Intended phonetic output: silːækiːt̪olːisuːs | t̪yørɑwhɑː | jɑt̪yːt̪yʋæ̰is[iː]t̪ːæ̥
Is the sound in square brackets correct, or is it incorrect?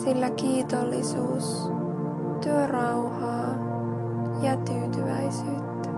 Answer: incorrect